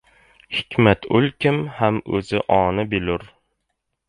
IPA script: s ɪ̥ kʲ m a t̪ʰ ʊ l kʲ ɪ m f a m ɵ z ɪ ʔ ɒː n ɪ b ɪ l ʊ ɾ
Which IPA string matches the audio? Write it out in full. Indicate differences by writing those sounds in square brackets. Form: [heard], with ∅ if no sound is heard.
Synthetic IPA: [h] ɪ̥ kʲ m a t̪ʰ ʊ l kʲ ɪ m [h] a m ɵ z ɪ ʔ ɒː n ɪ b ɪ l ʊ ɾ